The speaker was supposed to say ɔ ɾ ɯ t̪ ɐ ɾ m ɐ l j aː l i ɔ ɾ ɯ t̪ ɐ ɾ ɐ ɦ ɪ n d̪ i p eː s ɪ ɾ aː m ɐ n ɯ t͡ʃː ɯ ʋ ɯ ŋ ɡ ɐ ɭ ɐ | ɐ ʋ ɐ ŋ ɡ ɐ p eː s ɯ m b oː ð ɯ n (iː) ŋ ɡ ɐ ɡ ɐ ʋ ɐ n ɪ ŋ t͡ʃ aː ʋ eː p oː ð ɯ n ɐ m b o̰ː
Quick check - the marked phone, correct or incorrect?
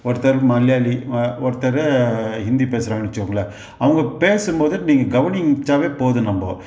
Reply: correct